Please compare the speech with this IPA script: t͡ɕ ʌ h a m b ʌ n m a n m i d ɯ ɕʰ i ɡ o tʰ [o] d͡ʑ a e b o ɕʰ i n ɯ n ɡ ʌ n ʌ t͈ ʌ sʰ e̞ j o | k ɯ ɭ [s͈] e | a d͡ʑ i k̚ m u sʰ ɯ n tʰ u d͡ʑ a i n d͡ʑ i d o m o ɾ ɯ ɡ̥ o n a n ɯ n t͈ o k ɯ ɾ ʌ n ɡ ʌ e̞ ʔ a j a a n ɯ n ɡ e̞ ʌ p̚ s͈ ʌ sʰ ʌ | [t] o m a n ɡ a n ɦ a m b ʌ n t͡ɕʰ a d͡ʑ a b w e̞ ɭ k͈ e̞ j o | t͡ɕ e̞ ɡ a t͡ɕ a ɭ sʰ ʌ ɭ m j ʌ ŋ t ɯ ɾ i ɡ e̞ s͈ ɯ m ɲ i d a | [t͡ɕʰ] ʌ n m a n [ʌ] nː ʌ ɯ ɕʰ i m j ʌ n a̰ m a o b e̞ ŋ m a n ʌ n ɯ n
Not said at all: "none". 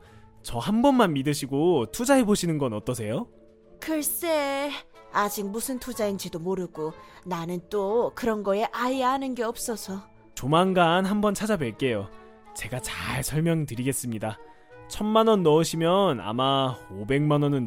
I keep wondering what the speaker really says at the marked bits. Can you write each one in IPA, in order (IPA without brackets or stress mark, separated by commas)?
u, s͈, t͡ɕ, t͡ɕʰ, ʌ